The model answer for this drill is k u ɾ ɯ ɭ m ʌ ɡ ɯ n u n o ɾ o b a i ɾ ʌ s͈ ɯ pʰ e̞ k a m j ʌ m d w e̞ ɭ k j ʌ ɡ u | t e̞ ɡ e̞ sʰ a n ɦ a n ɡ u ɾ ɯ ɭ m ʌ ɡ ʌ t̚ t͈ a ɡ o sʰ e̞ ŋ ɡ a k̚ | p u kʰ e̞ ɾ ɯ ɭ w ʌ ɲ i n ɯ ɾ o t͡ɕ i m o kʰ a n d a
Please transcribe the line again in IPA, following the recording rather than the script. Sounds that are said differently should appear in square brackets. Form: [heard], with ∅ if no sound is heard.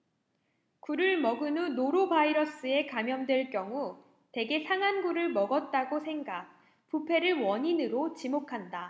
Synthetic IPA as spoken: k u ɾ ɯ ɭ m ʌ ɡ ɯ n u n o ɾ o b a i ɾ ʌ s͈ ɯ [∅] e̞ k a m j ʌ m d w e̞ ɭ k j ʌ [ŋ] u | t e̞ ɡ e̞ sʰ a [ŋ] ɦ a n ɡ u ɾ ɯ ɭ m ʌ ɡ ʌ t̚ t͈ a ɡ o sʰ e̞ ŋ ɡ a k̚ | p u [pʰ] e̞ ɾ ɯ ɭ w ʌ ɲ i n ɯ ɾ o t͡ɕ i m o kʰ a n d a